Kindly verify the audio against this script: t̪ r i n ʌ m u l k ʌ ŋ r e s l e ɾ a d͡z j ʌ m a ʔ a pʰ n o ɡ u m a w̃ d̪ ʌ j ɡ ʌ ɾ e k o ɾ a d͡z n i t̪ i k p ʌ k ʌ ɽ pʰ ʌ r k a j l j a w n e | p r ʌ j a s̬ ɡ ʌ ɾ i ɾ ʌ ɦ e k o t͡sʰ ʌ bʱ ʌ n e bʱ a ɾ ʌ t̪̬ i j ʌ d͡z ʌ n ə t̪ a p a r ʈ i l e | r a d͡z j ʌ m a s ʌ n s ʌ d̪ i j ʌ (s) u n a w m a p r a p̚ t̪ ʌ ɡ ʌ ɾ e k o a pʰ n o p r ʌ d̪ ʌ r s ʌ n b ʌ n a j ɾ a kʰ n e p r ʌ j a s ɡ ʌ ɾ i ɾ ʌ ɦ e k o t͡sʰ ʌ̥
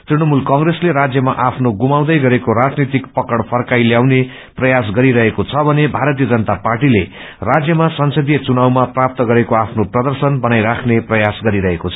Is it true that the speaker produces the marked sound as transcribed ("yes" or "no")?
no